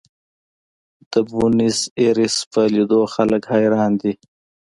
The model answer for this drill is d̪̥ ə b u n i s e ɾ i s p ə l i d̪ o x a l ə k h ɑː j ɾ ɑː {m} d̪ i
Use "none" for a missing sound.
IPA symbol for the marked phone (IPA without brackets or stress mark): n